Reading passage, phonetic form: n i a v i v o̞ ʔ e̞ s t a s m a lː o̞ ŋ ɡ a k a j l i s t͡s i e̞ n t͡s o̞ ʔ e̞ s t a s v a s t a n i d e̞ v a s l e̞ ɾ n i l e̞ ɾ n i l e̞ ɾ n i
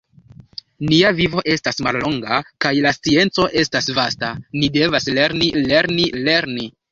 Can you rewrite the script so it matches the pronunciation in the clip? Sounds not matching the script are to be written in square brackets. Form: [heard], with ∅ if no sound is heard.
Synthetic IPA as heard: n i a v i v o̞ ʔ e̞ s t a s m a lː o̞ ŋ ɡ a k a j l [a] s t͡s i e̞ n t͡s o̞ ʔ e̞ s t a s v a s t a n i d e̞ v a s l e̞ ɾ n i l e̞ ɾ n i l e̞ ɾ n i

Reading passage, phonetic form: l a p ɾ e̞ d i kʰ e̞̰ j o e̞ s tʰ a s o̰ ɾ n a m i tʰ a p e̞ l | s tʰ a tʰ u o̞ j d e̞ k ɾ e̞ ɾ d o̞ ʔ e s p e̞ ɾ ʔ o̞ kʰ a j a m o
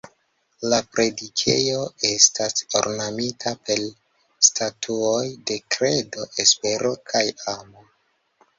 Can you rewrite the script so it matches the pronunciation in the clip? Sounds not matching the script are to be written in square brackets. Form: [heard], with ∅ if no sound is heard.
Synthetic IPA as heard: l a p ɾ e̞ d i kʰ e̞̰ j o e̞ s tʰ a s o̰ ɾ n a m i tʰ a p e̞ l | s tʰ a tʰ u o̞ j d e̞ k ɾ e̞ [∅] d o̞ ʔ e s p e̞ ɾ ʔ o̞ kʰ a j a m o

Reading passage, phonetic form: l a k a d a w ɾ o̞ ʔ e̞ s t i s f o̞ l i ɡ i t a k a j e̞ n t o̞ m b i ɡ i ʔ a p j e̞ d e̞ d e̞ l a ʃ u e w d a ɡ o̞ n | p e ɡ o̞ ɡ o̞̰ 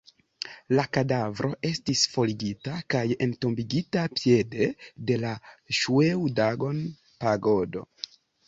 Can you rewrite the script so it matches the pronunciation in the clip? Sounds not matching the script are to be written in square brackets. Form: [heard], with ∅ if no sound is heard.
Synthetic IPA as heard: l a k a d a [v] ɾ o̞ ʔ e̞ s t i s f o̞ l i ɡ i t a k a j e̞ n t o̞ m b i ɡ i [t] a p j e̞ d e̞ d e̞ l a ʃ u e w d a ɡ o̞ n | p [a] ɡ o̞ [d] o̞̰

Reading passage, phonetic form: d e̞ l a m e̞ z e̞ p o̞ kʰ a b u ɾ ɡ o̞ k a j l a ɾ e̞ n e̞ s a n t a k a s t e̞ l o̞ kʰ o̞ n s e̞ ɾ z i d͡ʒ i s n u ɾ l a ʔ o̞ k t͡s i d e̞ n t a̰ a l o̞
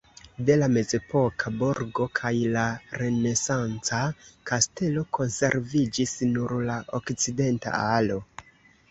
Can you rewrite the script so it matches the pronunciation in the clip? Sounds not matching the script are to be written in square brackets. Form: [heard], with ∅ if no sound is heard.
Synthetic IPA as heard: d e̞ l a m e̞ z e̞ p o̞ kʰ a b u ɾ ɡ o̞ [kʰ] a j l a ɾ e̞ n e̞ s a n [t͡s] a k a s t e̞ l o̞ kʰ o̞ n s e̞ ɾ [v] i d͡ʒ i s n u ɾ l a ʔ o̞ k t͡s i d e̞ n t a̰ a l o̞

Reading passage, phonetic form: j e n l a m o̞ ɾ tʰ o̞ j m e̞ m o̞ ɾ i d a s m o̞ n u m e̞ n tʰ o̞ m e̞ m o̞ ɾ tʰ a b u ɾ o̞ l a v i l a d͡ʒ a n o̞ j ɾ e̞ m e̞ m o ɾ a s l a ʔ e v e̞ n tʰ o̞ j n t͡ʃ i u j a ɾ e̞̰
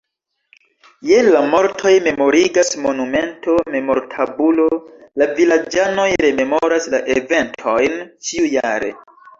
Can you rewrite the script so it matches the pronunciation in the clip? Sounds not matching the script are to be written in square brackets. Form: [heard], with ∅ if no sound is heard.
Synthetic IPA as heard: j e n l a m o̞ ɾ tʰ o̞ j m e̞ m o̞ ɾ i [ɡ] a s m o̞ n u m e̞ n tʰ o̞ m e̞ m o̞ ɾ tʰ a b u [l] o̞ l a v i l a d͡ʒ a n o̞ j ɾ e̞ m e̞ m o ɾ a s l a ʔ e v e̞ n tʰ o̞ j n t͡ʃ i u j a ɾ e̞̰

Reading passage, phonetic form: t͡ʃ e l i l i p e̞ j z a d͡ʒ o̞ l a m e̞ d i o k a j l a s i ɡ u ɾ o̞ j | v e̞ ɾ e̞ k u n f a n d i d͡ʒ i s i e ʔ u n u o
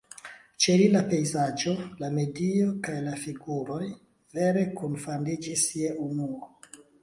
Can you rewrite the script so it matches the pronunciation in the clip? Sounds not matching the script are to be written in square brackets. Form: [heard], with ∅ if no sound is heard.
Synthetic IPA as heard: t͡ʃ e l i l [a] p e̞ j z a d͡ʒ o̞ l a m e̞ d i o k a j l a [f] i ɡ u ɾ o̞ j | v e̞ ɾ e̞ k u n f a n d i d͡ʒ i s i e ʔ u n u o

